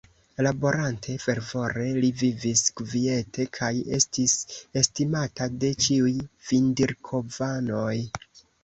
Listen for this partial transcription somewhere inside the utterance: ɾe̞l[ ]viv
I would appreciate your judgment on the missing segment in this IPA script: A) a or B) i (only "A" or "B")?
B